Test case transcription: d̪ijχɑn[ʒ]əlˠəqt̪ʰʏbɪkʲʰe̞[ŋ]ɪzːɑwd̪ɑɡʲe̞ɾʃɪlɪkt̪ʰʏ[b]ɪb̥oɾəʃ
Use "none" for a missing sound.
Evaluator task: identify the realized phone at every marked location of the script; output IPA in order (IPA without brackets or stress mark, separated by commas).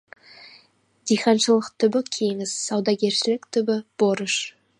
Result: ʃ, ŋ, b